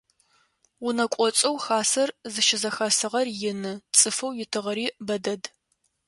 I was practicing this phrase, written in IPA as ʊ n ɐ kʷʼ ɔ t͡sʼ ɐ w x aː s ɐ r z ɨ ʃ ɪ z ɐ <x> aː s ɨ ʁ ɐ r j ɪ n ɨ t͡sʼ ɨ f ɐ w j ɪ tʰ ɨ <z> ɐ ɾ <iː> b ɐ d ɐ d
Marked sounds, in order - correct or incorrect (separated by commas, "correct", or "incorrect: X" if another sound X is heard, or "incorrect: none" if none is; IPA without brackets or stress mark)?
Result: correct, incorrect: ʁ, correct